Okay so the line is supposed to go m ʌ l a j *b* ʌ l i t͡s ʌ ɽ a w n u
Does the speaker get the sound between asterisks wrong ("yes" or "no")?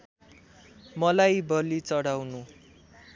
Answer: no